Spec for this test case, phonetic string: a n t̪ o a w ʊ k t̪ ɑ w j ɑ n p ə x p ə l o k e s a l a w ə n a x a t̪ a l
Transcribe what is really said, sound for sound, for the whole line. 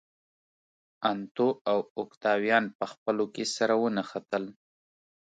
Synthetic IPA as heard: a n t̪ o a w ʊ k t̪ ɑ w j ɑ n p ə x p ə l o k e s a ɾ a w ə n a x a t̪ ə l